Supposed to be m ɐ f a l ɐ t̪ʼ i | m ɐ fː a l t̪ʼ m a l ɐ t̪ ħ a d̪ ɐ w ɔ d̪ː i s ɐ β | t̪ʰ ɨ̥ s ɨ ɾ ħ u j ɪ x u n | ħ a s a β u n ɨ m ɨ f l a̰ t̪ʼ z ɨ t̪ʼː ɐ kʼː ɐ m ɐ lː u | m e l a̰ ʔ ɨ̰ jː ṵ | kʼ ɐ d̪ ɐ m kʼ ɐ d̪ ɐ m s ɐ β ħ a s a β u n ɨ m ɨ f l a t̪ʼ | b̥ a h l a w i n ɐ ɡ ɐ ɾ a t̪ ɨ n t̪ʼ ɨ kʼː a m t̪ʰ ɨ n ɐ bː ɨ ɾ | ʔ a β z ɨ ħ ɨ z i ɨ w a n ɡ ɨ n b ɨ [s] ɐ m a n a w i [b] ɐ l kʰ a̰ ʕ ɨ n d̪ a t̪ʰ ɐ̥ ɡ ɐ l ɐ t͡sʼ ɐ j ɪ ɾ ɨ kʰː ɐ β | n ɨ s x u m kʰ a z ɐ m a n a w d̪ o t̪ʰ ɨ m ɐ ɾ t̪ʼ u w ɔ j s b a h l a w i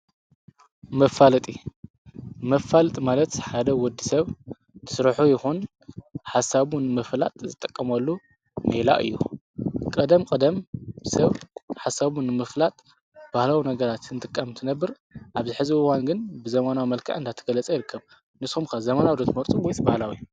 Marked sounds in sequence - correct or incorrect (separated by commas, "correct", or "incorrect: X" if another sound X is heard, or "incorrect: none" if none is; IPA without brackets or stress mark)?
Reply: incorrect: z, incorrect: m